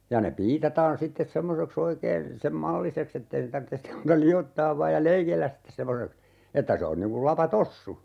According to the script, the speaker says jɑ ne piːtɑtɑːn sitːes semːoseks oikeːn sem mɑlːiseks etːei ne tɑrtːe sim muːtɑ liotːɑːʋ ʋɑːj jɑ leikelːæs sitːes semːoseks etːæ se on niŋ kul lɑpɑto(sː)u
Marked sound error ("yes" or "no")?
no